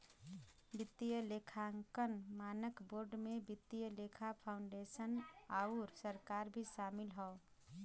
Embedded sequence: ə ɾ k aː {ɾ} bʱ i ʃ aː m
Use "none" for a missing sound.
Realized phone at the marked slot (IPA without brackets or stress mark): ɾ